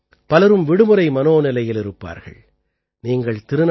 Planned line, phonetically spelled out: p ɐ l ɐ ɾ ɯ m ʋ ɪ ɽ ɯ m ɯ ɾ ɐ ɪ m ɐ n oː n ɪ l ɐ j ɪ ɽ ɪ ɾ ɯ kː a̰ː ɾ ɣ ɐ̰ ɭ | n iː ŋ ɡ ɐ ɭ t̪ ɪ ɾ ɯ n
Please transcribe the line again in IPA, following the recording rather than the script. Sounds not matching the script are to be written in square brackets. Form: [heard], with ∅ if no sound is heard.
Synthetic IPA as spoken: p ɐ l ɐ ɾ ɯ m ʋ ɪ ɽ ɯ m ɯ ɾ ɐ ɪ m ɐ n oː n ɪ l ɐ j ɪ [l] ɪ ɾ ɯ [pː] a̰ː ɾ ɣ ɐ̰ ɭ | n iː ŋ ɡ ɐ ɭ t̪ ɪ ɾ ɯ n